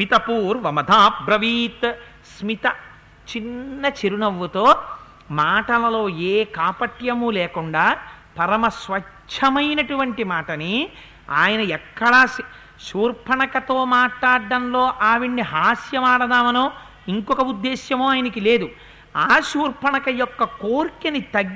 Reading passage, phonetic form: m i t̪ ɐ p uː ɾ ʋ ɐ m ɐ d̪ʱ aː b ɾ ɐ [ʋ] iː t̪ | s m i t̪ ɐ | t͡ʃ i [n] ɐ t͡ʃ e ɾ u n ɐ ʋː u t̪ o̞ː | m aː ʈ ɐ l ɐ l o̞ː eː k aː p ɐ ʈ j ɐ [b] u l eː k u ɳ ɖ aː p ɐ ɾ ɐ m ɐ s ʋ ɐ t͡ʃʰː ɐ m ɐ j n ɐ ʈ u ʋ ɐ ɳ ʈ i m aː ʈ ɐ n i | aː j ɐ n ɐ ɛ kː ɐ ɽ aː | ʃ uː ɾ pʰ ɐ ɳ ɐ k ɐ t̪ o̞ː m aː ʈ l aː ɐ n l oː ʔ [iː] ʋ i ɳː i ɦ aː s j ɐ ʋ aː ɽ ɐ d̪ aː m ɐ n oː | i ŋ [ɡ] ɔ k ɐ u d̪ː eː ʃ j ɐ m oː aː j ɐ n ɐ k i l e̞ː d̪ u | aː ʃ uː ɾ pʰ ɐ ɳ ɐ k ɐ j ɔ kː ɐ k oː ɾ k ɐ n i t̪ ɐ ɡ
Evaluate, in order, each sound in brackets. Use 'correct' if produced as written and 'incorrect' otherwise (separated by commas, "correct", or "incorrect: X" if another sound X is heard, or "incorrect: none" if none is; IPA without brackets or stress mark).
correct, incorrect: nː, incorrect: m, incorrect: aː, incorrect: k